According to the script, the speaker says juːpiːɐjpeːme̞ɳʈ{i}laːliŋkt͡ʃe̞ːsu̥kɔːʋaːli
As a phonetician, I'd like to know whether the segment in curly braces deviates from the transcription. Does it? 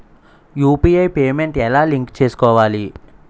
yes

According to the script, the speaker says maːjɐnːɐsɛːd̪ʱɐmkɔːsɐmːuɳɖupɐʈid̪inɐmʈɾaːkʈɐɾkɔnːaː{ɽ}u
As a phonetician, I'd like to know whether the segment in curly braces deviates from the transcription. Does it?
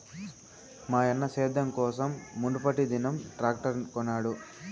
no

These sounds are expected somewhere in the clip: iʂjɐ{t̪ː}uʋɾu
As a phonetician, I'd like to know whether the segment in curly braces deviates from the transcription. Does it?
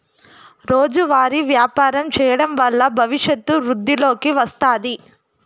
no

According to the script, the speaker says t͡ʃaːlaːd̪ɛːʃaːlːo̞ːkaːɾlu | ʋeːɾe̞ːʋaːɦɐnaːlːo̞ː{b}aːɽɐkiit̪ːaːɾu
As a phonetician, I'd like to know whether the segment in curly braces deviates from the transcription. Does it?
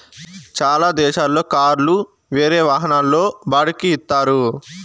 no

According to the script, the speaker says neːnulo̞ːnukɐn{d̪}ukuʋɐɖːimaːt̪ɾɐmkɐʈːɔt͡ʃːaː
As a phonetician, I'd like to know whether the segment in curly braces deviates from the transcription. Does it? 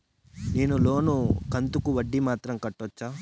yes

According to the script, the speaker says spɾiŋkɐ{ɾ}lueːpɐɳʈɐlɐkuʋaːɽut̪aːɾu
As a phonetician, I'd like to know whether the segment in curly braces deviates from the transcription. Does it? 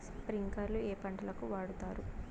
no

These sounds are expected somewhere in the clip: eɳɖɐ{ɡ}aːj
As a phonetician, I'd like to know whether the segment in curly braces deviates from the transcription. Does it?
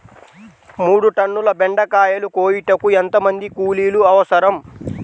yes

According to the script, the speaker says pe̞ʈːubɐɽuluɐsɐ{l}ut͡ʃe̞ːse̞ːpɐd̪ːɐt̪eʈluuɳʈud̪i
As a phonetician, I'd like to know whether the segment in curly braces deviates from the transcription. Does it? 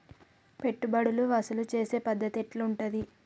no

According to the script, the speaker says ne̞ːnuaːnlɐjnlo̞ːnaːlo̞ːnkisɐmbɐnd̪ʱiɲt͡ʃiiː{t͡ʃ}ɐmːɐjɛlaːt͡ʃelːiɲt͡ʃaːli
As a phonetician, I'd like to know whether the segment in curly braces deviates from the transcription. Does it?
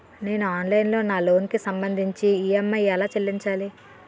yes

